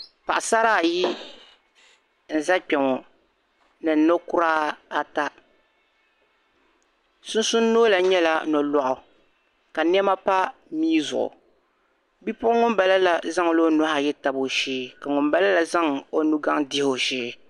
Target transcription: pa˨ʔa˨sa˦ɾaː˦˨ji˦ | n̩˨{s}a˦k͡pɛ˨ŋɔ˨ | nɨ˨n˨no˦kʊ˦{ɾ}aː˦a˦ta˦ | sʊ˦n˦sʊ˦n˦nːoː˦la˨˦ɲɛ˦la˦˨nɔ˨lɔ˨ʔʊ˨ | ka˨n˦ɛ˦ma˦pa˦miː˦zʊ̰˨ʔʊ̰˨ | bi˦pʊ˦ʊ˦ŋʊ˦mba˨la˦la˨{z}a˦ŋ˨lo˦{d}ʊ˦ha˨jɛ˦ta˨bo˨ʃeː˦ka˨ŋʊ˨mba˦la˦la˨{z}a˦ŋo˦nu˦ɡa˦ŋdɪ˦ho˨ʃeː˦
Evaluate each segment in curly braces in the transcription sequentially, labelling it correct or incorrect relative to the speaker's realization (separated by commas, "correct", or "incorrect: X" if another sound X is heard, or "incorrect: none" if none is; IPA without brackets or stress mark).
incorrect: z, correct, correct, incorrect: n, correct